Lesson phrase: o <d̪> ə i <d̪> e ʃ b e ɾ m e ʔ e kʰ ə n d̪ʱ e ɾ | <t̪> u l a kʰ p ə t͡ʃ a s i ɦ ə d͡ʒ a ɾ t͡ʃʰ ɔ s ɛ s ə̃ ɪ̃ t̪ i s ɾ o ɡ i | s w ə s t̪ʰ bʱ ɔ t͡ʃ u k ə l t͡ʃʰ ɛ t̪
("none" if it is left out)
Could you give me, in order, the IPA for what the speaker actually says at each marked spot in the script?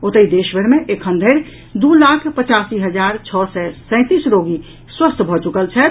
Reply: t̪, d̪, d̪

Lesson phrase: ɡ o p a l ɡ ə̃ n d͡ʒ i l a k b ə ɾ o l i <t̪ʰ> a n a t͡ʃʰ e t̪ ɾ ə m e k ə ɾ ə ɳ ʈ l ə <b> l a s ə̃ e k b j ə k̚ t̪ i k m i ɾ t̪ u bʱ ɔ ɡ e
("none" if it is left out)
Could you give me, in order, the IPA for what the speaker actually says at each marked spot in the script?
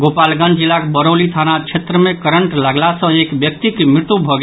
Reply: t̪ʰ, ɡ

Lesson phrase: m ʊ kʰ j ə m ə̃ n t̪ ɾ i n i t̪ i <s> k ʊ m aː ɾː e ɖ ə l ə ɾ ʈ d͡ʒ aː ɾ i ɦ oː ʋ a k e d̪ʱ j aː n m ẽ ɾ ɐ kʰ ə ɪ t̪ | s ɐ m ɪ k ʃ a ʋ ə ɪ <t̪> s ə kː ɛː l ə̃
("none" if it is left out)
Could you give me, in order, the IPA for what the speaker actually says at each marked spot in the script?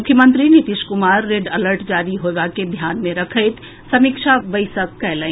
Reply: ʃ, none

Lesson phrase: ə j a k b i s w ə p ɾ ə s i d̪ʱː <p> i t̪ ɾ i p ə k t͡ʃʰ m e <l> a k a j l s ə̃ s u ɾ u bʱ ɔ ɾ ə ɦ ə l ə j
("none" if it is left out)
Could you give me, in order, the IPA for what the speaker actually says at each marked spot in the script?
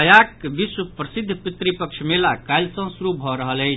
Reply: p, l

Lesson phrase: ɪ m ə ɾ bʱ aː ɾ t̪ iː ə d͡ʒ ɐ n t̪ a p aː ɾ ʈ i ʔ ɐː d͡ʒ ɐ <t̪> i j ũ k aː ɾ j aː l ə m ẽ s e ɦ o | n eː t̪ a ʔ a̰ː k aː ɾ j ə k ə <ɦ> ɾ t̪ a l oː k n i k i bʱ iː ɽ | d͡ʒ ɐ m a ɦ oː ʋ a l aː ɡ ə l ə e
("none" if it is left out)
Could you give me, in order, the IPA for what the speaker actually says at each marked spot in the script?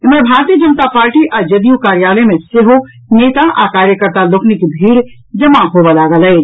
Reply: d̪, none

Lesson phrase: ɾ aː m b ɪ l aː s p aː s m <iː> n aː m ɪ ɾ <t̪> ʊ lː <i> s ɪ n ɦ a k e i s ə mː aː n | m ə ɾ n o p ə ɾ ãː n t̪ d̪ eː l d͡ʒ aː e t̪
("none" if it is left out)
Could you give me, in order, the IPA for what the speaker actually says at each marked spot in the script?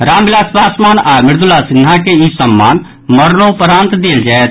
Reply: aː, d̪, a

